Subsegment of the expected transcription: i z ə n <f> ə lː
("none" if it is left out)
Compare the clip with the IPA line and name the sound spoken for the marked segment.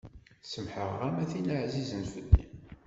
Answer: f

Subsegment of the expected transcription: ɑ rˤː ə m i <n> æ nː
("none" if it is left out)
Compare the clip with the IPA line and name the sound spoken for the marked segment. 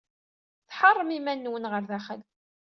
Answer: m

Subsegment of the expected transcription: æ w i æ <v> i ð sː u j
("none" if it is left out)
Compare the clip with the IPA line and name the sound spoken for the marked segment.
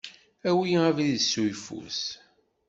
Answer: v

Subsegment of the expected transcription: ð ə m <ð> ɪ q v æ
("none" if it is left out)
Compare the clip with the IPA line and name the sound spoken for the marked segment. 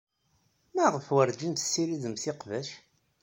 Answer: θ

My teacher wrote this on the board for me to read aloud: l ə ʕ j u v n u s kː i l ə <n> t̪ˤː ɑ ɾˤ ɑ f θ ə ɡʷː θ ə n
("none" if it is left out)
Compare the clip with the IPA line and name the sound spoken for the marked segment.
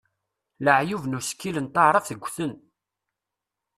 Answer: n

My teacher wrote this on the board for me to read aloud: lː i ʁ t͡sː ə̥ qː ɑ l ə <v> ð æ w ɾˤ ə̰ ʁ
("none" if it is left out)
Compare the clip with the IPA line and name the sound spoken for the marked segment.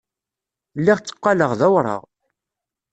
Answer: ʁ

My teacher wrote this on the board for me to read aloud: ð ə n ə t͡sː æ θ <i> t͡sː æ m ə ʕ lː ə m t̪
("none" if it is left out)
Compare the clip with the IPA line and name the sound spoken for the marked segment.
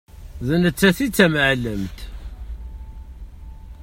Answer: i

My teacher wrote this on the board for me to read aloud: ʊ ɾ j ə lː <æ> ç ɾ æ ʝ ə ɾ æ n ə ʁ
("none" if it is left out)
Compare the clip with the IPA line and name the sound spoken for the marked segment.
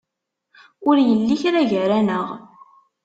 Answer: i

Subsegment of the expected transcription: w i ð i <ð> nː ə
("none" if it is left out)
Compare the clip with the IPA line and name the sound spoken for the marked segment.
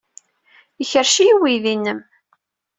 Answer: none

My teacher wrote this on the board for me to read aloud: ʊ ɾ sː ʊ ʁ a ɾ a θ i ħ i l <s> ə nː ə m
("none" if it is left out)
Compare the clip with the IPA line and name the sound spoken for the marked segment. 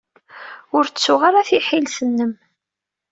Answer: s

